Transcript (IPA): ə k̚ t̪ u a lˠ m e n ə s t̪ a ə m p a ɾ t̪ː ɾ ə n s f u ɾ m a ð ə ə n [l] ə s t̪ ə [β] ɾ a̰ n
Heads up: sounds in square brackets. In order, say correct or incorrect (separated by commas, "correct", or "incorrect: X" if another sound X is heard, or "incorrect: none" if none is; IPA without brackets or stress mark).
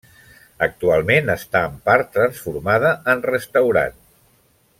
incorrect: r, incorrect: w